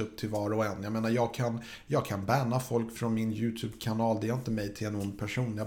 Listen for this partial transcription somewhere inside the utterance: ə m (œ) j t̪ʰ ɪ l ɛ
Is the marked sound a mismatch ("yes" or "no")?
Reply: yes